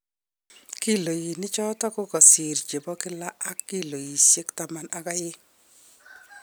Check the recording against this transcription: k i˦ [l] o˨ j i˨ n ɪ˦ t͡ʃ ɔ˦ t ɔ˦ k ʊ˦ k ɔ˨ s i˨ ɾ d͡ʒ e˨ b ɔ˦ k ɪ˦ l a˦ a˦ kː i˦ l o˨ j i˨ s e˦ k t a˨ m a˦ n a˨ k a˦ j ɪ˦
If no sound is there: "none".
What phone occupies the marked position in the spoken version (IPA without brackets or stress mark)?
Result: l